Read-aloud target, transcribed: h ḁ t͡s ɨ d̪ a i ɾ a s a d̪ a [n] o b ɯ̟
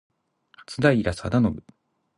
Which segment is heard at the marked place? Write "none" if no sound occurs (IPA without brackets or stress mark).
n